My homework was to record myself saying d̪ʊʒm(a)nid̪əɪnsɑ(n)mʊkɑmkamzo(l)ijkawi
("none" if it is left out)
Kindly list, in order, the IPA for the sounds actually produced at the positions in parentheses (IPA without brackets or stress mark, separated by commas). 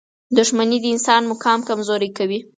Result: a, n, ɾ